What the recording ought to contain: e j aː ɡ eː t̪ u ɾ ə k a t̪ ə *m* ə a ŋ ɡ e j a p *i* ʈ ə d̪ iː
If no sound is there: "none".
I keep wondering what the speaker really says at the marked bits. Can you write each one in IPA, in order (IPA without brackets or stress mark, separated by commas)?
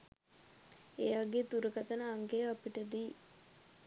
n, i